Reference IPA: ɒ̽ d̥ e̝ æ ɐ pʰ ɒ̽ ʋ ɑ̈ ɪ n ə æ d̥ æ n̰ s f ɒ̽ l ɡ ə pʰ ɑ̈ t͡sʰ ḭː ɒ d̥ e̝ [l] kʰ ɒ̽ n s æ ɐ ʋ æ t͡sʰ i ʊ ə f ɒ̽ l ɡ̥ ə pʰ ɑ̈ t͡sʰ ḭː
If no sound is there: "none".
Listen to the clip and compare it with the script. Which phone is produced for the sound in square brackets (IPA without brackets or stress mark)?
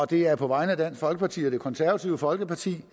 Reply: none